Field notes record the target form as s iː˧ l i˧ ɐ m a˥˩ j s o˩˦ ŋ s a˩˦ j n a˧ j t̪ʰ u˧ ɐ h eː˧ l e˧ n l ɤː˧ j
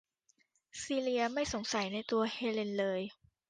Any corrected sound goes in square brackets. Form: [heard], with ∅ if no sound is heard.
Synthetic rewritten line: s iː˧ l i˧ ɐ m a˥˩ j s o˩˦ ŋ s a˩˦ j n a˧ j [t̪] u˧ ɐ h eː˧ l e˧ n l ɤː˧ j

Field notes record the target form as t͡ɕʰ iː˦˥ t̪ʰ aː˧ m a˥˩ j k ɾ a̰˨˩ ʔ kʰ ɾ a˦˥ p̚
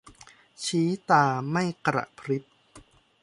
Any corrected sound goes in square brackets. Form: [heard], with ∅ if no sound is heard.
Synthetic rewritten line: t͡ɕʰ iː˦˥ [t̪] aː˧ m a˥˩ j k ɾ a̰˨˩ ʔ [pʰ] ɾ [i˦˥] p̚

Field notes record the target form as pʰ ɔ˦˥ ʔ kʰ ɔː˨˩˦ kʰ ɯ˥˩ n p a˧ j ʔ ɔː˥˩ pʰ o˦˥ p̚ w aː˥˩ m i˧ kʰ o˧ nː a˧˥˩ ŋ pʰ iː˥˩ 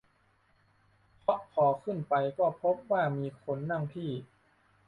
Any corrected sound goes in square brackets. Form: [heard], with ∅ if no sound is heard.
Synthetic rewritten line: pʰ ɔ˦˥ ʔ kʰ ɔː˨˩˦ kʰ ɯ˥˩ n p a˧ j [k] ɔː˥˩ pʰ o˦˥ p̚ w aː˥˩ m [iː˧] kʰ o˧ nː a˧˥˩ ŋ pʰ iː˥˩

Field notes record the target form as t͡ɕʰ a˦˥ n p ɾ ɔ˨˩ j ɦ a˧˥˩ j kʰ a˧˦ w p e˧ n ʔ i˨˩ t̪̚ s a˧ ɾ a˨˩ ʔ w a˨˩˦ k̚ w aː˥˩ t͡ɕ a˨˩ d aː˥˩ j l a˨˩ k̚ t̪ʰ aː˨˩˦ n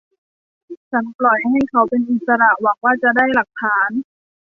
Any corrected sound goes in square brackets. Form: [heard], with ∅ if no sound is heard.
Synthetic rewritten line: t͡ɕʰ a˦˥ n p [l] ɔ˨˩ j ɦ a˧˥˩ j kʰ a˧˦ w p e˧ n ʔ i˨˩ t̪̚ s a˧ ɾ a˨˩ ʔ w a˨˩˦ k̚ w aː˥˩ t͡ɕ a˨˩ d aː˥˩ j l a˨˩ k̚ t̪ʰ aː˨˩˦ n

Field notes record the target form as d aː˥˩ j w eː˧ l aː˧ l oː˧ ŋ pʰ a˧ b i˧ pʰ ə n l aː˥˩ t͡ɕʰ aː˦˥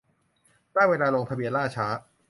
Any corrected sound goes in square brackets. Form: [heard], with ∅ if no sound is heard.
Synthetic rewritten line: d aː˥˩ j w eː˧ l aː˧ l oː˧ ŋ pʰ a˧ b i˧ [∅] ə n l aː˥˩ t͡ɕʰ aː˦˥

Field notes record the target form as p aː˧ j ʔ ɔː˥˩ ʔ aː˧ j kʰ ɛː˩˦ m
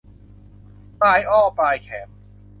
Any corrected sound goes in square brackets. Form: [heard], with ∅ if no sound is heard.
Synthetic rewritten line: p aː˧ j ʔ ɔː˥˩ [p] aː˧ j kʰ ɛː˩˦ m

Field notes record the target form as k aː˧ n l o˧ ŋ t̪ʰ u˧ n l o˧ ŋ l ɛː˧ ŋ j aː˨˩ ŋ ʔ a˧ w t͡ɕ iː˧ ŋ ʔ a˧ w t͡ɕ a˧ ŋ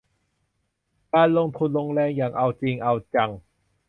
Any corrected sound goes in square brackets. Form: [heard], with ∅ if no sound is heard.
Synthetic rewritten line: k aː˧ n l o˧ ŋ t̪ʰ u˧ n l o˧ ŋ l ɛː˧ ŋ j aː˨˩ ŋ ʔ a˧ w t͡ɕ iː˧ ŋ ʔ a˧ w t͡ɕ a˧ ŋ

